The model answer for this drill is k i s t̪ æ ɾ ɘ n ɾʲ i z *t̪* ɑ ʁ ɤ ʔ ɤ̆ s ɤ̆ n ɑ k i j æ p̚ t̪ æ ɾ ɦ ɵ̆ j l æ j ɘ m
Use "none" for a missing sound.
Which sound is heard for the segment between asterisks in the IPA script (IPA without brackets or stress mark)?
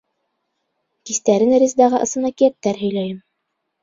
d̪